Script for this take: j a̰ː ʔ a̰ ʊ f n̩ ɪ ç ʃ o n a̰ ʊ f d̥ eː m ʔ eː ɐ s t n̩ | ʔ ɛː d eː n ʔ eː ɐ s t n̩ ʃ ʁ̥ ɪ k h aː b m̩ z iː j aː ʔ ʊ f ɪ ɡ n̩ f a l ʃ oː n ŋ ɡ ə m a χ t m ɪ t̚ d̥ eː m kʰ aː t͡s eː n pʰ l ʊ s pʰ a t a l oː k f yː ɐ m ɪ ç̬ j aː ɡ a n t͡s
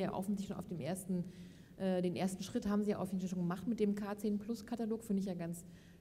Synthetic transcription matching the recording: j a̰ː ʔ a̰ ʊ f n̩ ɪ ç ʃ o n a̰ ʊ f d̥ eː m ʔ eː ɐ s t n̩ | ʔ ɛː d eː n ʔ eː ɐ s t n̩ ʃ ʁ̥ ɪ t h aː b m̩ z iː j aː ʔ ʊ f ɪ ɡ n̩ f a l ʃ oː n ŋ ɡ ə m a χ t m ɪ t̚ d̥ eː m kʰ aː t͡s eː n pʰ l ʊ s kʰ a t a l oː k f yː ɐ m ɪ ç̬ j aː ɡ a n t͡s